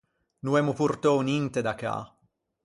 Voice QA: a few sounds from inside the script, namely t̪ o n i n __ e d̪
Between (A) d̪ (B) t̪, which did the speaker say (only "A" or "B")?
B